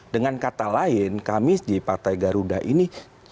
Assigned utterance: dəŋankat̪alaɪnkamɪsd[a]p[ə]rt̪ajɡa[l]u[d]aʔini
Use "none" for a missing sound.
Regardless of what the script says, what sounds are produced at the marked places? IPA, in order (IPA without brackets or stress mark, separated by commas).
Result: i, a, ɾ, d